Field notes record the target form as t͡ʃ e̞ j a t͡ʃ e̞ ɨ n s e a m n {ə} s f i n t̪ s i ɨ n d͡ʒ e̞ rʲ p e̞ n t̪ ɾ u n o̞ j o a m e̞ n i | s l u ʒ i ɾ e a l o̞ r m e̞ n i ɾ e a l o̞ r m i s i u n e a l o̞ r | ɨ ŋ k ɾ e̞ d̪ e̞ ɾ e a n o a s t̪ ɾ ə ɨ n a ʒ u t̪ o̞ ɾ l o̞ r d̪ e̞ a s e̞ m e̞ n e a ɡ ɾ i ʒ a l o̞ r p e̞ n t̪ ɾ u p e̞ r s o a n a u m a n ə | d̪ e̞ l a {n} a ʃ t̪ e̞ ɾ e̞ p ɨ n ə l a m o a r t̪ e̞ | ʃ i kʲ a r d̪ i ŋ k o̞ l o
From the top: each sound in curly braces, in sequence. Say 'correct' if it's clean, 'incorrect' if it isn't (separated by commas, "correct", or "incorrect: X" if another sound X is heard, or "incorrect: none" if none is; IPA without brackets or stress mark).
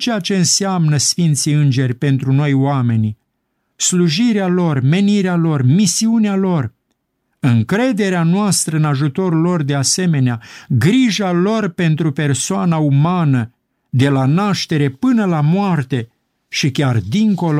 correct, correct